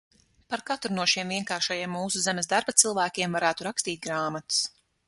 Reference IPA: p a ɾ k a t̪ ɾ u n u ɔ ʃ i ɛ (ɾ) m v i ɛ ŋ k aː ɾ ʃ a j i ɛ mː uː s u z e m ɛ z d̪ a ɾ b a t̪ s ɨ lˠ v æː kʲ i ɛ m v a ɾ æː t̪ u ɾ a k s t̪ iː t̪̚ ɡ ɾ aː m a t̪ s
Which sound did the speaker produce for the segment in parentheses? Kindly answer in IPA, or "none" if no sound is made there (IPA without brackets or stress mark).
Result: none